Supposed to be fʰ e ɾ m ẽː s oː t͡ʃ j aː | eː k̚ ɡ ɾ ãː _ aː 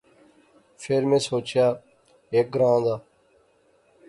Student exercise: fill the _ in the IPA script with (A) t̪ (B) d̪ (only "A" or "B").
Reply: B